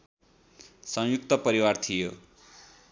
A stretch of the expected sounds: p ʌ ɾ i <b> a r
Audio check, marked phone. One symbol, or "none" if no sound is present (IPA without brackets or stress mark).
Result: w